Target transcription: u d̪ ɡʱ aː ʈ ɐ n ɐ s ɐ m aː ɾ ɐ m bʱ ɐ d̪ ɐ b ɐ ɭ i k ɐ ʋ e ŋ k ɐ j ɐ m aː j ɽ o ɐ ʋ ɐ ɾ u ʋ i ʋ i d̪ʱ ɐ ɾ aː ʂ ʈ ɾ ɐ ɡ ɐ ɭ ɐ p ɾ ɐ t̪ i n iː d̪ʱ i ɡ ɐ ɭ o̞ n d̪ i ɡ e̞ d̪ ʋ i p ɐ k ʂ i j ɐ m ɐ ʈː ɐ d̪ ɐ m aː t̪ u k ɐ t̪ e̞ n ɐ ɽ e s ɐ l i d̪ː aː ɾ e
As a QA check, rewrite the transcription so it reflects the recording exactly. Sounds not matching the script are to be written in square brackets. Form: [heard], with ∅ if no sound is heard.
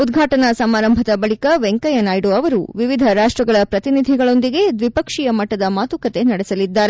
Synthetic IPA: u d̪ ɡʱ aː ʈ ɐ n ɐ s ɐ m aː ɾ ɐ m bʱ ɐ d̪ ɐ b ɐ ɭ i k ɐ ʋ e ŋ k ɐ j ɐ [n] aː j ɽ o ɐ ʋ ɐ ɾ u ʋ i ʋ i d̪ʱ ɐ ɾ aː ʂ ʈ ɾ ɐ ɡ ɐ ɭ ɐ p ɾ ɐ t̪ i n [i] d̪ʱ i ɡ ɐ ɭ o̞ n d̪ i ɡ e̞ d̪ ʋ i p ɐ k ʂ i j ɐ m ɐ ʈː ɐ d̪ ɐ m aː t̪ u k ɐ t̪ e̞ n ɐ ɽ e s ɐ l i d̪ː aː ɾ e